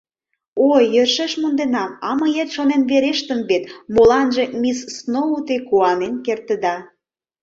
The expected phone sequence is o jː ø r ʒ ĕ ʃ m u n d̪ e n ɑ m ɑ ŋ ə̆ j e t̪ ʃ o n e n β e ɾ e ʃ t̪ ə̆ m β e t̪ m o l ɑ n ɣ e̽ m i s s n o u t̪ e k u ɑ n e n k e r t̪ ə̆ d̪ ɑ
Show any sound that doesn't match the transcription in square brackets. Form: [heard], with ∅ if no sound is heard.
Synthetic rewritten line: o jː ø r [ʃ] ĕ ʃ m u n d̪ e n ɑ m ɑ [m] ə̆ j e t̪ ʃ o n e n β e ɾ e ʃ t̪ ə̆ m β e t̪ m o l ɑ n [ʒ] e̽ m i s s n o u t̪ e k u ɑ n e n k e r t̪ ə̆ d̪ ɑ

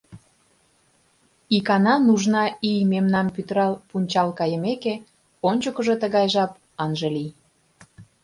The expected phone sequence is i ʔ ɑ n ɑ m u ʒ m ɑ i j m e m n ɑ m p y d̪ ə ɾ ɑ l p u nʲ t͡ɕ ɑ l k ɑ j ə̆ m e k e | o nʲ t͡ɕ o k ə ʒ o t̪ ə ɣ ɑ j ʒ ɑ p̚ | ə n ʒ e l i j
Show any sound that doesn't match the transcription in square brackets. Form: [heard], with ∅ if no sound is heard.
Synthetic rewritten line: i [k] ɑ n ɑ [n] u ʒ [n] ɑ i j m e m n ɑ m p y [t̪] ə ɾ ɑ l p u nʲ t͡ɕ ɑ l k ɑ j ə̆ m e k e | o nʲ t͡ɕ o k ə ʒ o t̪ ə ɣ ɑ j ʒ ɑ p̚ | [ɑ] n ʒ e l i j

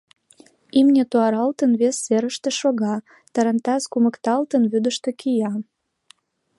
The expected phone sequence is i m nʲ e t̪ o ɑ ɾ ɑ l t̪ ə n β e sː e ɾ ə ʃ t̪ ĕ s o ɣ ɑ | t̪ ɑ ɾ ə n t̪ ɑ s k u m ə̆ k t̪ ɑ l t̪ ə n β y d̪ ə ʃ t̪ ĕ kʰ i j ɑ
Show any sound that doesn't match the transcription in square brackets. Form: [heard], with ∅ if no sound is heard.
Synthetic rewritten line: i m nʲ e t̪ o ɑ ɾ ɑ l t̪ ə n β e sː e ɾ ə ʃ t̪ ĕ [ʃ] o ɣ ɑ | t̪ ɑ ɾ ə n t̪ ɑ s k u m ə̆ k t̪ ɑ l t̪ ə n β y d̪ ə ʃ t̪ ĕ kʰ i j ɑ

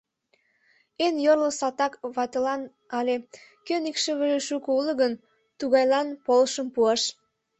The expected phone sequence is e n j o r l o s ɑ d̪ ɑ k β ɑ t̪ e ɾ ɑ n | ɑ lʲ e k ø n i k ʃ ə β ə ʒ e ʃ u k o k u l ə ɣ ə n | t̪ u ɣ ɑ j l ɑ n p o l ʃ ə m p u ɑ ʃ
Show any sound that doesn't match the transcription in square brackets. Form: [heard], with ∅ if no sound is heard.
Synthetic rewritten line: e n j o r l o s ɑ [t̪] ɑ k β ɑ t̪ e [l] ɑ n | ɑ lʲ e k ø n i k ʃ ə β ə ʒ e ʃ u k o [∅] u l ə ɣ ə n | t̪ u ɣ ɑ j l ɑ n p o l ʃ ə m p u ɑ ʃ

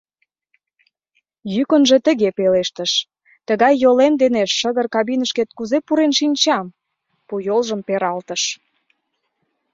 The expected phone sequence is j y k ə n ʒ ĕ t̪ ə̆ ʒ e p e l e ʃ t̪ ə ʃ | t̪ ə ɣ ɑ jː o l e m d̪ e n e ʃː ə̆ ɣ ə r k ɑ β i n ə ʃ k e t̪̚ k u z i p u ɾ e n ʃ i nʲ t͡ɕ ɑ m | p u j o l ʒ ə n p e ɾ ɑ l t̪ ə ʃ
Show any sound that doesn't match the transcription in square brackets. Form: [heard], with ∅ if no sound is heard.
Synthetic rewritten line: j y k ə n ʒ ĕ t̪ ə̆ [ɣ] e p e l e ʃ t̪ ə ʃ | t̪ ə ɣ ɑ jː o l e m d̪ e n e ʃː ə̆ ɣ ə r k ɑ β i n ə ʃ k e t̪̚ k u z [e] p u ɾ e n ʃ i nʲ t͡ɕ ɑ m | p u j o l ʒ ə [m] p e ɾ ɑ l t̪ ə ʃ

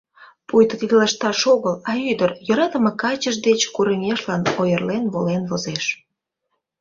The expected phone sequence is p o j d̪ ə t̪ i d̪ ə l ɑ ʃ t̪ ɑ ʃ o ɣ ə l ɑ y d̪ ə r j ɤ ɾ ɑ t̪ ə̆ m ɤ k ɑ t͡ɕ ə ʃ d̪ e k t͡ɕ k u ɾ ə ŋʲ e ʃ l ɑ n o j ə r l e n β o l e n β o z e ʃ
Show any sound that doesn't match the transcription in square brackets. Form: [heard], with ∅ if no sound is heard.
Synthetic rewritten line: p [u] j [t̪] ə t̪ i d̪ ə l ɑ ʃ t̪ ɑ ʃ o ɣ ə l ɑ y d̪ ə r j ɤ ɾ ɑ t̪ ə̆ m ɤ k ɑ t͡ɕ ə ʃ d̪ e [∅] t͡ɕ k u ɾ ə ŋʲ e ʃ l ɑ n o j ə r l e n β o l e n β o z e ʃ

